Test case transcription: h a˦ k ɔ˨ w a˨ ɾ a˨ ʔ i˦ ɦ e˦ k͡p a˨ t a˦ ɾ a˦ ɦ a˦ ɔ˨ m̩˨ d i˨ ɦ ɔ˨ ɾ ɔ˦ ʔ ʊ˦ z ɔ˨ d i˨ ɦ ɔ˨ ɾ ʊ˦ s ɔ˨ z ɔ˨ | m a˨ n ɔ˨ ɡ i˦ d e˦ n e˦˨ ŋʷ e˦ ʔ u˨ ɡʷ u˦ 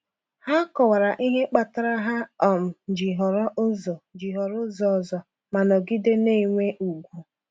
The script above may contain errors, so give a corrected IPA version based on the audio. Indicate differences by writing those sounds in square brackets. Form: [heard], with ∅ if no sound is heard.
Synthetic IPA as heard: h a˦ k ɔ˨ w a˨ ɾ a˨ ʔ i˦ ɦ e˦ k͡p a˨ t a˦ ɾ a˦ ɦ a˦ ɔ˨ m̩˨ [d͡ʒ] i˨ ɦ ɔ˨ ɾ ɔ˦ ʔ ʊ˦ z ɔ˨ [d͡ʒ] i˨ ɦ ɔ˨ ɾ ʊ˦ [z] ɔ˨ z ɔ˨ | m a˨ n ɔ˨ ɡ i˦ d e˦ n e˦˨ ŋʷ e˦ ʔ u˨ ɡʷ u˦